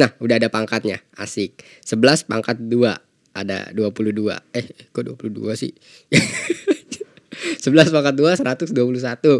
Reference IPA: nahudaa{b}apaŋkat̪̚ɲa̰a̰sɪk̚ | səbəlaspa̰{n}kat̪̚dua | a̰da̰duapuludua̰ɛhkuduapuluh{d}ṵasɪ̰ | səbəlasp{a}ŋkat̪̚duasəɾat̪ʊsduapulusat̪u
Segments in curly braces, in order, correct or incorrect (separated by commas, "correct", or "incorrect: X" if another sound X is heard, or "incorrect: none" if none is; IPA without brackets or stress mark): incorrect: d, incorrect: ŋ, correct, correct